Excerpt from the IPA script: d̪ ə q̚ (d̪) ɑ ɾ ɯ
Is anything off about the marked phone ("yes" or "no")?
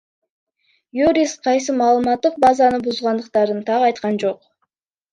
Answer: yes